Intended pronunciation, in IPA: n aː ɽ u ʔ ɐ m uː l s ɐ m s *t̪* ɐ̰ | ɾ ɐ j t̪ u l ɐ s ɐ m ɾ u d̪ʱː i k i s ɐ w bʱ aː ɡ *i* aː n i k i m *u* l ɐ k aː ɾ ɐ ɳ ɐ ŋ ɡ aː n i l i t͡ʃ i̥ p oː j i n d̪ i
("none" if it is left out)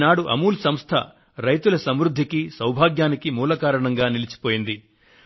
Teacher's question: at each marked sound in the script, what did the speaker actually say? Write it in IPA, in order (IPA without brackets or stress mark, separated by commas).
t̪ʰ, j, uː